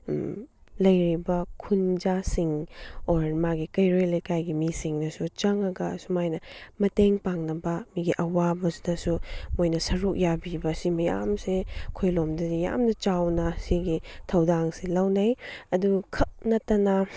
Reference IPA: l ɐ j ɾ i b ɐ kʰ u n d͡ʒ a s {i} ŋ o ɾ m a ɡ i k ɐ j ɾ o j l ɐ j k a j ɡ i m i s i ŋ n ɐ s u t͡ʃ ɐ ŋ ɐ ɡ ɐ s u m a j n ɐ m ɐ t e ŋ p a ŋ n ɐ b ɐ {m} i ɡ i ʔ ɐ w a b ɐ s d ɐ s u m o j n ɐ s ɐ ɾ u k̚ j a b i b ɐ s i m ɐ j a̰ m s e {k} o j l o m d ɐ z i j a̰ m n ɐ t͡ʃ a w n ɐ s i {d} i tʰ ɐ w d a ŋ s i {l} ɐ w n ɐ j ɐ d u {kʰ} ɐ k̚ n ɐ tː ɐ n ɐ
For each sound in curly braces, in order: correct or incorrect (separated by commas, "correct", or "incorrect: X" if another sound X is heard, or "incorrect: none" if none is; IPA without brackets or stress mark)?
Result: correct, correct, incorrect: kʰ, incorrect: ɡ, correct, correct